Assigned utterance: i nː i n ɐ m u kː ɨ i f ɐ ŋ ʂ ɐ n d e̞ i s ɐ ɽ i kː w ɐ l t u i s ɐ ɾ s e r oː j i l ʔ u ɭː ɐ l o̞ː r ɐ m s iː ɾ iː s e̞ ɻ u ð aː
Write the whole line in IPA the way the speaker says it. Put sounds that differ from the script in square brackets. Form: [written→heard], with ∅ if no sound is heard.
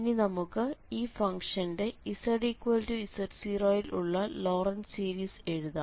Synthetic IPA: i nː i n ɐ m u kː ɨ [i→iː] f ɐ ŋ ʂ ɐ n d e̞ i s ɐ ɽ i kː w ɐ l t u i s ɐ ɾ s [e→i] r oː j i l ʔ u ɭː ɐ l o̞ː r ɐ [m→n] s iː ɾ iː s e̞ ɻ u ð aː